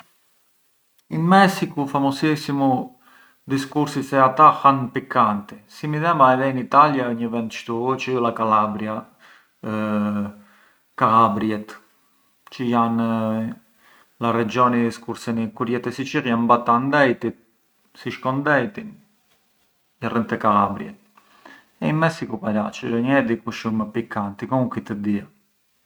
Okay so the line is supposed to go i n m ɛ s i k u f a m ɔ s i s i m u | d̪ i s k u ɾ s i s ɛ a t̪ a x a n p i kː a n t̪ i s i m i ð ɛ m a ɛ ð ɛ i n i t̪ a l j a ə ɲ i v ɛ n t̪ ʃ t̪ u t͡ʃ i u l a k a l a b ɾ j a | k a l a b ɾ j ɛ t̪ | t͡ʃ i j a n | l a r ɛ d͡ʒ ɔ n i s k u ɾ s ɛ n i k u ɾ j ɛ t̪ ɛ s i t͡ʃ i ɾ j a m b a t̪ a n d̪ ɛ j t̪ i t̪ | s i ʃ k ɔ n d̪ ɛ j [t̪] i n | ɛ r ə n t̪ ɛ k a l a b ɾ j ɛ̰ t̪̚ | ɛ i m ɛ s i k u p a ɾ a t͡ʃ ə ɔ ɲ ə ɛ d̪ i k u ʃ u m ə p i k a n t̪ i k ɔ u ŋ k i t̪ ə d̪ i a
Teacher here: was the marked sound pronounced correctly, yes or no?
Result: yes